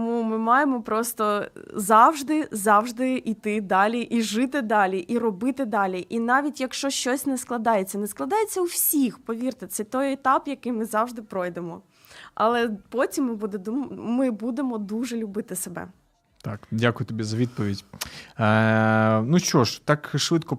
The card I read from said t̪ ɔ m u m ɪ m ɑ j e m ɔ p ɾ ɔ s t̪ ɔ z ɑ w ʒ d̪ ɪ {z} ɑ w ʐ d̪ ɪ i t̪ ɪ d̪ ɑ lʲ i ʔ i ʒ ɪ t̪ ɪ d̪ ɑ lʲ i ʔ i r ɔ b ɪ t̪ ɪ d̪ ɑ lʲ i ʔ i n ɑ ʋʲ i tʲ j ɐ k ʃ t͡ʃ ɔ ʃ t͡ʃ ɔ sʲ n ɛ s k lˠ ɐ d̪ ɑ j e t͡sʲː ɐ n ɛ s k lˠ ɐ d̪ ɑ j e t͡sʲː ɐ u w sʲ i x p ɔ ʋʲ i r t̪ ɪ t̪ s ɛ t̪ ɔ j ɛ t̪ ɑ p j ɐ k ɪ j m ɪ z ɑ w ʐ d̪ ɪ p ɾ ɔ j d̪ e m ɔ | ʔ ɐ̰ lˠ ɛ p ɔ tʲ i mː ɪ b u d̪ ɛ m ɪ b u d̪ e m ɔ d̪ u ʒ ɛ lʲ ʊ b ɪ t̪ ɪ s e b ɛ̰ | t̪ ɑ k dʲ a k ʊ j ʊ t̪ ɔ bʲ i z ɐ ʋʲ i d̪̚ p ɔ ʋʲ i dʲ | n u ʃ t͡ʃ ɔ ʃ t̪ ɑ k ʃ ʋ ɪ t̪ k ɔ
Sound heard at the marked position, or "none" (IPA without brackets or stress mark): z